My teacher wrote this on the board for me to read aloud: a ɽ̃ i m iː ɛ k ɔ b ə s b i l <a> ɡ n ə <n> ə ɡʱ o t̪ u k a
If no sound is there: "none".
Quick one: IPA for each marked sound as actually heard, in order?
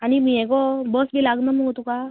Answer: a, m

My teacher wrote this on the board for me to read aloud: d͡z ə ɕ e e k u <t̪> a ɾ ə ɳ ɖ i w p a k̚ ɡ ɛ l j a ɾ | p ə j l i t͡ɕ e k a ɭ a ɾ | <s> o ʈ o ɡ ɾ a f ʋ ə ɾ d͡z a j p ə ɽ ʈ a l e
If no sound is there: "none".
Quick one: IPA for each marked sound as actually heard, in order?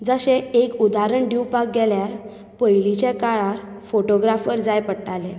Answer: d̪, f

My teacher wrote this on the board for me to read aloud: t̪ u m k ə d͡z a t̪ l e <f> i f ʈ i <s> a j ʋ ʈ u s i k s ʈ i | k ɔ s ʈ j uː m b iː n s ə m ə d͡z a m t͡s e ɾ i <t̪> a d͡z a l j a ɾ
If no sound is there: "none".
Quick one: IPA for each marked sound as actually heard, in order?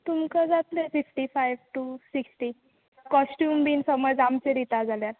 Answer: f, f, t̪

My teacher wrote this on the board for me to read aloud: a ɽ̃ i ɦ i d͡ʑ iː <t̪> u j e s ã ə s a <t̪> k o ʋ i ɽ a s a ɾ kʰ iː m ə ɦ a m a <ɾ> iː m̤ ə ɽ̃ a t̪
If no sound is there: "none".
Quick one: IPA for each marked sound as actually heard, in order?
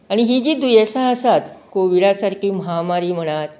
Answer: d̪, t̪, ɾ

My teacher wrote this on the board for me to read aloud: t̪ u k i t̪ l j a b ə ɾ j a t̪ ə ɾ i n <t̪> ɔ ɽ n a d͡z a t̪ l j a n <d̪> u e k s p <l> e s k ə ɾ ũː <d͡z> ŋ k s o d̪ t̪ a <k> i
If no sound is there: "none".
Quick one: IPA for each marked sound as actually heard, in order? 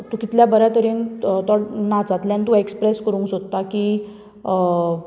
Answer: t̪, t̪, ɾ, none, k

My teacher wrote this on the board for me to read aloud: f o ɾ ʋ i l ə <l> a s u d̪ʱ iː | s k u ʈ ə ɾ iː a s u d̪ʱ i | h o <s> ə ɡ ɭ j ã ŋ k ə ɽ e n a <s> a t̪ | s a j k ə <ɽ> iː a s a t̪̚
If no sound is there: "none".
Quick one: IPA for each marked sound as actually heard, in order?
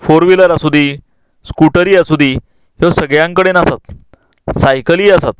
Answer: ɾ, s, s, l

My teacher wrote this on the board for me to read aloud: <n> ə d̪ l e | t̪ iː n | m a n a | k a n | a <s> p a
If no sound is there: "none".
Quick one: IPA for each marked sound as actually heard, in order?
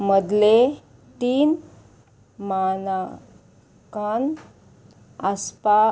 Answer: m, s

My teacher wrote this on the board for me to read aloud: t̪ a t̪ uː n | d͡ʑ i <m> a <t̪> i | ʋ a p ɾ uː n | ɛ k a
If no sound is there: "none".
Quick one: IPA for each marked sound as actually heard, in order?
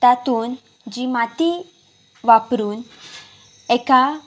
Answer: m, t̪

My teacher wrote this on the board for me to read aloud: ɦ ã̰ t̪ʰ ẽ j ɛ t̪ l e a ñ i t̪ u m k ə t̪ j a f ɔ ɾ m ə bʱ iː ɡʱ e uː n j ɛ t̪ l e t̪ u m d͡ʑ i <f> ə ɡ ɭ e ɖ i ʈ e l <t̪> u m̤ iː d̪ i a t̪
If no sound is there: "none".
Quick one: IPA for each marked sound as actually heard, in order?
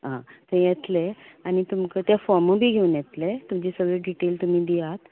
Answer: s, t̪

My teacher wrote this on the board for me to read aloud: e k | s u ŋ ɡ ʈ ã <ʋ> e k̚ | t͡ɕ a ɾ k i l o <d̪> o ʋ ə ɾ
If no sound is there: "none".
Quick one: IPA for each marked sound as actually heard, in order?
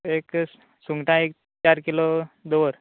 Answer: none, d̪

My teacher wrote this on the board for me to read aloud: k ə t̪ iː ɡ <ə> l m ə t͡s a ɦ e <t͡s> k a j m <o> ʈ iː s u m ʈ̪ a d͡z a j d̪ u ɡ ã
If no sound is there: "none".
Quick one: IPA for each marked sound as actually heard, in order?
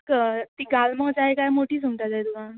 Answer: a, none, o

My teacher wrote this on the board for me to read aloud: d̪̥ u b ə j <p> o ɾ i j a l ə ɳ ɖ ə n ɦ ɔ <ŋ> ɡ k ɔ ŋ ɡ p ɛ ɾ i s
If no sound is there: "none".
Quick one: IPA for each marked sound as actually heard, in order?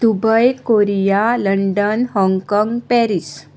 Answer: k, ŋ

